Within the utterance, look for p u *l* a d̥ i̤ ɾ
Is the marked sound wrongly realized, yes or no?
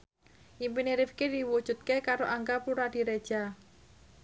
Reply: yes